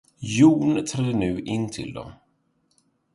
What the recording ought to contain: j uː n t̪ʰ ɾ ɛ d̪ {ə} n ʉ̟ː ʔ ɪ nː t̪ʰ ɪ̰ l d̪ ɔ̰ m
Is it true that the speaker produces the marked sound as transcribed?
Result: yes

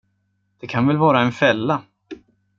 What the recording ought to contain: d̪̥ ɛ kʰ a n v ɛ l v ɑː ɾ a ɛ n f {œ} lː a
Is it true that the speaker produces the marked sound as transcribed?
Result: no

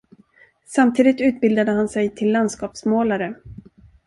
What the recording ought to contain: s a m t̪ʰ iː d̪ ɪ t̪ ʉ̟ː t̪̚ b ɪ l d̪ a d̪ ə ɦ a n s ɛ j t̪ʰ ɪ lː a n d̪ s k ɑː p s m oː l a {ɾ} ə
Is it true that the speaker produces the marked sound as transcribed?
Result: yes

